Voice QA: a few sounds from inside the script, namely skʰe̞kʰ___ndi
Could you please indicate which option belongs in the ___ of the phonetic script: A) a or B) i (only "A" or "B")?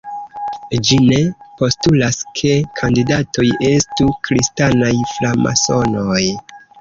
A